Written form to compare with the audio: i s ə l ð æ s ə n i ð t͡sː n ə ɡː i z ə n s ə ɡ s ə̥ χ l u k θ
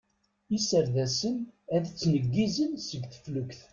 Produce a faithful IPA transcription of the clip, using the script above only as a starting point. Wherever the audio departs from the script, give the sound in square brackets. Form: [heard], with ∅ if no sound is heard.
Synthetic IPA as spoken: i s ə [ɾ] ð æ s ə n [æ] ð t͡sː n ə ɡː i z ə n s ə ɡ [θ] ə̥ [f] l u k θ